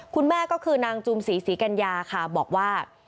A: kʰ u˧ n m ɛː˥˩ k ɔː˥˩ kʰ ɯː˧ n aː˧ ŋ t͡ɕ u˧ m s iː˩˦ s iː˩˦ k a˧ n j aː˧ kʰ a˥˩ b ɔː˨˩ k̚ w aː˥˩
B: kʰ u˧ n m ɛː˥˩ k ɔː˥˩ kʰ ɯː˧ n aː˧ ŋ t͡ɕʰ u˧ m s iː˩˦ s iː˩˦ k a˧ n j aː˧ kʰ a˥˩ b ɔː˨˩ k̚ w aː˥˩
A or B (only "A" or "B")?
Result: A